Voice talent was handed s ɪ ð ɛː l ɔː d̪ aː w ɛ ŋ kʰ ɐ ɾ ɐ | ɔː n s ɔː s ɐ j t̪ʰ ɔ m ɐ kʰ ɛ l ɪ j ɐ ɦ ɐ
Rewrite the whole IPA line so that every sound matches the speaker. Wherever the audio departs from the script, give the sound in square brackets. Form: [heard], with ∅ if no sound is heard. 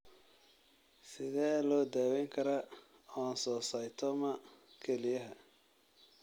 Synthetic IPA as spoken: s ɪ ð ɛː l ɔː d̪ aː w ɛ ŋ kʰ ɐ ɾ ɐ | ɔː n s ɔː s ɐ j t̪ʰ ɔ m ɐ kʰ ɛ l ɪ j ɐ ɦ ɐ